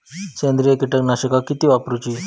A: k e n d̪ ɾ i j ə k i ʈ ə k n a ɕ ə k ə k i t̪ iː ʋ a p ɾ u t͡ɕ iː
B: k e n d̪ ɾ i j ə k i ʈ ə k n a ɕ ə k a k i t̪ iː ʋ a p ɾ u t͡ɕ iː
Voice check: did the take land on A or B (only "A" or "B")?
B